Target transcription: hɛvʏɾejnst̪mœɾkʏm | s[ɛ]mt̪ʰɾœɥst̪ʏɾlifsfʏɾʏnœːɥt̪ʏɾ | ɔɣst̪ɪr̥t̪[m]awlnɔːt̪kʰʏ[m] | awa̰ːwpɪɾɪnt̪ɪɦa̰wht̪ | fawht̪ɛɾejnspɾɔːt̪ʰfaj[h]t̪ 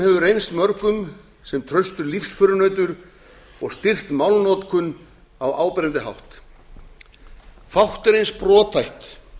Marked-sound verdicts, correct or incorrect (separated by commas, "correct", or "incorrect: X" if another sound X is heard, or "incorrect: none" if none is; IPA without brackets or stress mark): correct, correct, incorrect: n, correct